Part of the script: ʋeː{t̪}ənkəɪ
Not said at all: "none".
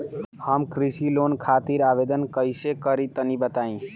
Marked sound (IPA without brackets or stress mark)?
d̪